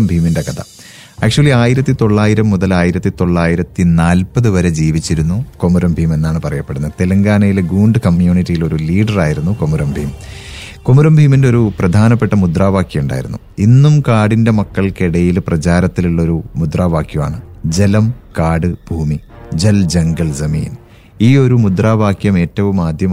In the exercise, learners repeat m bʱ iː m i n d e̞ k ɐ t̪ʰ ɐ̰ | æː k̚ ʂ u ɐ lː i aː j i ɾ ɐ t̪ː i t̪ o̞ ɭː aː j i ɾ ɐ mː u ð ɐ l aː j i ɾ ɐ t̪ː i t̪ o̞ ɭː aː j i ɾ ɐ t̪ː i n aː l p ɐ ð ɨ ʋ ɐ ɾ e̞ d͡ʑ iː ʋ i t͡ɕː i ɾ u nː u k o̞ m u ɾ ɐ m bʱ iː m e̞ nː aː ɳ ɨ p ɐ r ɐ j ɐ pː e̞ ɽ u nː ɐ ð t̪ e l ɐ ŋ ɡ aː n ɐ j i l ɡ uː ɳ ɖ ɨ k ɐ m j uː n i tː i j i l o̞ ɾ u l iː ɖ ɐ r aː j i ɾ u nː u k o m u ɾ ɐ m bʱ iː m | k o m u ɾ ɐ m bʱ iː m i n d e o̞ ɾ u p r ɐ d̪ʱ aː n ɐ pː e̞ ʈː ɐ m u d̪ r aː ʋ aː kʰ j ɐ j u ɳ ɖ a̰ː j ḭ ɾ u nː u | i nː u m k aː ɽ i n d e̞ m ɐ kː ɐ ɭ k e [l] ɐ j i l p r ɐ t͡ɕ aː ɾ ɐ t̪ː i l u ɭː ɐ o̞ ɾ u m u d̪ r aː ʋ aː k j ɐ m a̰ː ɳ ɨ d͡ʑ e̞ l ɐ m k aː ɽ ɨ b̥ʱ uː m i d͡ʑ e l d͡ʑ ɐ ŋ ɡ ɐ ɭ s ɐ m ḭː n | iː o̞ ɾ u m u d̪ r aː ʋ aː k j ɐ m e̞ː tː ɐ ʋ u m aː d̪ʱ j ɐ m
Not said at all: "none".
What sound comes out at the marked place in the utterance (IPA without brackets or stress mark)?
ɽ